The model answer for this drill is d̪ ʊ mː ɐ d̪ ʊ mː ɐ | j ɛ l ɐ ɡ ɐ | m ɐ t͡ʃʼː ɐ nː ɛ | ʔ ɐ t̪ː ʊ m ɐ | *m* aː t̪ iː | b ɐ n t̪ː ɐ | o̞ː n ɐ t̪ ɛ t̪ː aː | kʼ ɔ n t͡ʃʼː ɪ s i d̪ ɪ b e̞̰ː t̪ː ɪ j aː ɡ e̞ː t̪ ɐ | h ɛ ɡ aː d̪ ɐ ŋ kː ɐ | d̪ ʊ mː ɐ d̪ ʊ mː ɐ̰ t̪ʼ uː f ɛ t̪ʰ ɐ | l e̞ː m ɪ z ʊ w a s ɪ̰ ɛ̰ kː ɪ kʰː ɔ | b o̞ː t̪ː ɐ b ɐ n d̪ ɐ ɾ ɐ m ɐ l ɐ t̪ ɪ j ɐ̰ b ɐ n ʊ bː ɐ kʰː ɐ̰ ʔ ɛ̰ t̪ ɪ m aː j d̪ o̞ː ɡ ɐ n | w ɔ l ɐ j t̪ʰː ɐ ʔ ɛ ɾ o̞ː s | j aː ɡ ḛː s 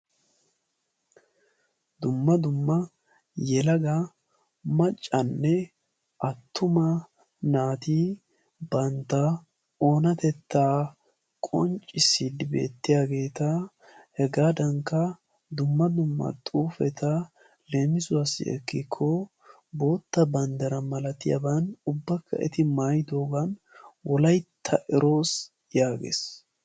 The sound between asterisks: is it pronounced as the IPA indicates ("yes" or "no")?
no